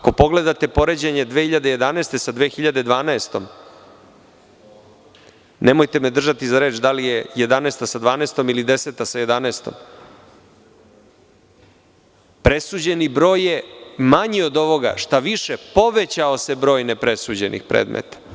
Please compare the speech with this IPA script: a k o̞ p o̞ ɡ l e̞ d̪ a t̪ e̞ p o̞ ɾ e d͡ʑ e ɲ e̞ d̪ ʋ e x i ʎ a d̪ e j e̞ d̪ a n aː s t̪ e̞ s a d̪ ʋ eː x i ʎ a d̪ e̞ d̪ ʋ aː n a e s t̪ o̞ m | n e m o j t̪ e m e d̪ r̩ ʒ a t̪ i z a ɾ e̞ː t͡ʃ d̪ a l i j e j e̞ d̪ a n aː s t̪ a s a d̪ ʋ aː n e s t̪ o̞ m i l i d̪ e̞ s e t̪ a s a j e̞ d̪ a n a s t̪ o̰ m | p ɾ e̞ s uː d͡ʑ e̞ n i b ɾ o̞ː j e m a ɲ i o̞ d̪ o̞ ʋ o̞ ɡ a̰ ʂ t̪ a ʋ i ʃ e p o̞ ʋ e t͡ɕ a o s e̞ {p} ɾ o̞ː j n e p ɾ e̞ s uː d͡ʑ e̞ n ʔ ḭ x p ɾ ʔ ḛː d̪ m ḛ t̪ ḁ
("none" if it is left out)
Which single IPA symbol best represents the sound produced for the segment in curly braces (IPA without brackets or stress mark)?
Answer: b